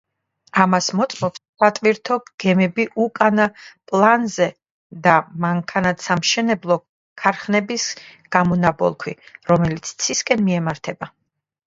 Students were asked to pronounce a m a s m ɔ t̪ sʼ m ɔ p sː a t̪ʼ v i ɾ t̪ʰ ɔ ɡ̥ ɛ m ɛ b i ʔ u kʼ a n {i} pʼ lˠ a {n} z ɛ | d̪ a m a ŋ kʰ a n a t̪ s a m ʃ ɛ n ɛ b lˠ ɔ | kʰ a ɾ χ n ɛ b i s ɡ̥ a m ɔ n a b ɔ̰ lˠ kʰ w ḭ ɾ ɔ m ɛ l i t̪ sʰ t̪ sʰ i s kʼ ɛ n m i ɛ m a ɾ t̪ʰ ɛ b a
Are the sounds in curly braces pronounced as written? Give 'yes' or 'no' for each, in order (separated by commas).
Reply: no, yes